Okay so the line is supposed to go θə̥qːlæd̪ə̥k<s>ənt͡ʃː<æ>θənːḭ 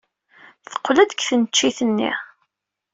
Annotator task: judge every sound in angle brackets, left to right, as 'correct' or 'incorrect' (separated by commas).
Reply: incorrect, incorrect